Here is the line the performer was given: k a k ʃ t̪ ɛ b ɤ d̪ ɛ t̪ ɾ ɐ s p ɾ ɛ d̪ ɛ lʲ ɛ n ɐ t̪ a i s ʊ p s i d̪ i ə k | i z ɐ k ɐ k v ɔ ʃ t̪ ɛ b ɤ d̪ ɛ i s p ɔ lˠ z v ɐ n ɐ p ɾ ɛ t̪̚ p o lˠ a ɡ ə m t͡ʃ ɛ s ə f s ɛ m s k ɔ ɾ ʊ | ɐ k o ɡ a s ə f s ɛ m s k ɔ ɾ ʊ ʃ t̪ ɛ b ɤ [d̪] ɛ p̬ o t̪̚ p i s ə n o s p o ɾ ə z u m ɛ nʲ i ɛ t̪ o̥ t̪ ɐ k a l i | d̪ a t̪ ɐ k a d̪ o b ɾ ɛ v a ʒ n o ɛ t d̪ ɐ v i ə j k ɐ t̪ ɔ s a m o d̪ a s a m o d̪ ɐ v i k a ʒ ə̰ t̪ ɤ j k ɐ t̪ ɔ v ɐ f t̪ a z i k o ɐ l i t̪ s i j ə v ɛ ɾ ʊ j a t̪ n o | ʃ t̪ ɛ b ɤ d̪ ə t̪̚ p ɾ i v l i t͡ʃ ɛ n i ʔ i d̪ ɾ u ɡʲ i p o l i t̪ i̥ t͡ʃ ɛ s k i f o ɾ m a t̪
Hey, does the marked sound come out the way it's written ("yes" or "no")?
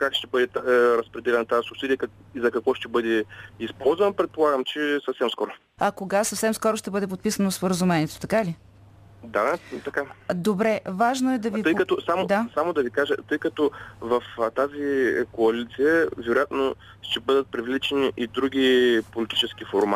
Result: yes